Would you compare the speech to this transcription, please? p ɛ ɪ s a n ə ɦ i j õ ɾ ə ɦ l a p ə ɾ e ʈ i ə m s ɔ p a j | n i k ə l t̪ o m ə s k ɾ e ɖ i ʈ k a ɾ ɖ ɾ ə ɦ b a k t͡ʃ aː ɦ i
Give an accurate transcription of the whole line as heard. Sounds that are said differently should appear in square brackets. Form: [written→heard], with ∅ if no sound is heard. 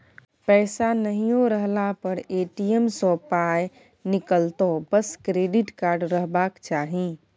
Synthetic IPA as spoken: p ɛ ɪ s a n ə ɦ i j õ ɾ ə ɦ l a p ə ɾ e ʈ i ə m s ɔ p a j | n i k ə l t̪ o [m→b] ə s k ɾ e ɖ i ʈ k a ɾ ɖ ɾ ə ɦ b a k t͡ʃ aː ɦ i